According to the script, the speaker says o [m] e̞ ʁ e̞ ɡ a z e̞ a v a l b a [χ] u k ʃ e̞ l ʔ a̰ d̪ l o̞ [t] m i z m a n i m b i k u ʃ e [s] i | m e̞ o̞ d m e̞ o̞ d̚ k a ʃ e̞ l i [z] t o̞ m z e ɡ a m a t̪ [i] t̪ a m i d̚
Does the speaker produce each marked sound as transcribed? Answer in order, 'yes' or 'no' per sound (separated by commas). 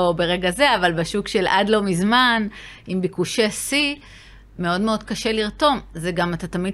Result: no, no, no, yes, no, no